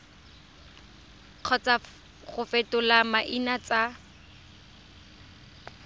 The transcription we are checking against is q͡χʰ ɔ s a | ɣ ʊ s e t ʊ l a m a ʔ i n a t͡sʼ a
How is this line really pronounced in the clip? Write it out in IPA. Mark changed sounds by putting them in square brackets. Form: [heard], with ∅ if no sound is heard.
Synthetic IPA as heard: q͡χʰ ɔ [t͡s] a | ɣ ʊ [f] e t ʊ l a m a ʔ i n a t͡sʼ a